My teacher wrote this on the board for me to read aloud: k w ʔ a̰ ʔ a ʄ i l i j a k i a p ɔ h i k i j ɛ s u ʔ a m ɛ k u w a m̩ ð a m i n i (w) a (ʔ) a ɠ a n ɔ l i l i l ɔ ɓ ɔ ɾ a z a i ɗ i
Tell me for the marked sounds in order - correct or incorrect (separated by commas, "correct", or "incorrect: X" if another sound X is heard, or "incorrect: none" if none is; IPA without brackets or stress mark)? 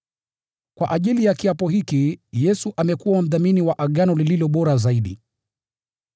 correct, correct